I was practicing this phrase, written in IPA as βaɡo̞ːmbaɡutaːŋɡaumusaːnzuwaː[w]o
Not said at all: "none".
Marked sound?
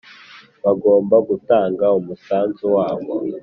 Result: β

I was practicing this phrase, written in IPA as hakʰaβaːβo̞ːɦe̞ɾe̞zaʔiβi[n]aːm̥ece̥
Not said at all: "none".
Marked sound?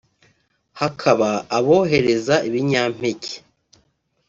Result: ɲ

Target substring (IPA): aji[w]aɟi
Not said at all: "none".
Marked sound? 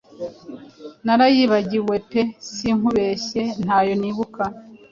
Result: β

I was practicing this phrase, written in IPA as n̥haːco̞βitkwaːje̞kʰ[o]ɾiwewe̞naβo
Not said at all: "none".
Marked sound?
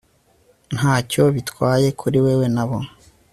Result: u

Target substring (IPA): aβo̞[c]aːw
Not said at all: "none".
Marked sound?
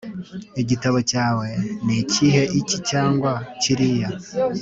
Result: c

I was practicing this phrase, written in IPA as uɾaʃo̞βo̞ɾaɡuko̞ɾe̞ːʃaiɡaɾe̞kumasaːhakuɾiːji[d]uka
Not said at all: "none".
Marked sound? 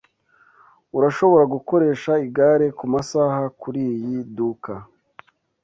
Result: d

